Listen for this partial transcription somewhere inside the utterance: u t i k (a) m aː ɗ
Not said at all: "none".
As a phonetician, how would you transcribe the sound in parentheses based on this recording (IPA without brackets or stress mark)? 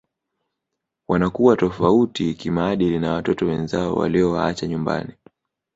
i